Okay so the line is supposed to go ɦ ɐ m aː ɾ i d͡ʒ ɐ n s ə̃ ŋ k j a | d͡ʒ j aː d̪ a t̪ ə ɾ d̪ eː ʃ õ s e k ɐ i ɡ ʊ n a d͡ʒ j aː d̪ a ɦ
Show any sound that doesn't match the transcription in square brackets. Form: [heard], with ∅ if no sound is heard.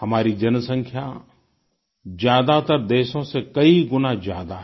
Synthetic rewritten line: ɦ ɐ m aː ɾ i d͡ʒ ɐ n s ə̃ ŋ [kʰ] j a | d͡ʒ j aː d̪ a t̪ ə ɾ d̪ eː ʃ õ s e k ɐ i ɡ ʊ n a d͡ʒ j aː d̪ a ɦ